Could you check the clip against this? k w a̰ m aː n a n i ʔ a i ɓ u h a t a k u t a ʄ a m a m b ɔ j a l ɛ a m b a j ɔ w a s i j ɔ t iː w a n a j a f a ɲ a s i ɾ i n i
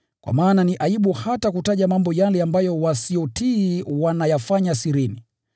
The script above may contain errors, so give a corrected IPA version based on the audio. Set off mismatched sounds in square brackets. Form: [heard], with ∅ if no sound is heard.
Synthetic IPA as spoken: k w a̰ m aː n a n i ʔ a i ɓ u h a t a k u t a ʄ a m a m b ɔ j a l ɛ a m b a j ɔ w a s i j ɔ t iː w a n a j a f a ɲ a s i ɾ i n i